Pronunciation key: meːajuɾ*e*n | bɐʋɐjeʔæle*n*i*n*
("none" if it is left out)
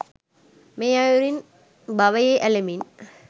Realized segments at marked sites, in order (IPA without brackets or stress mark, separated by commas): i, m, n